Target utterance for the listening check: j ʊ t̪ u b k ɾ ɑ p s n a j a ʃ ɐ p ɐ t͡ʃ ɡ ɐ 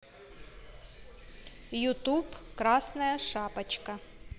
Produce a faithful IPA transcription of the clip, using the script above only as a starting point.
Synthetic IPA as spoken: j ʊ t̪ u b k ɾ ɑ s n ɐ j ɐ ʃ ɑ p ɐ t͡ʃ k ɐ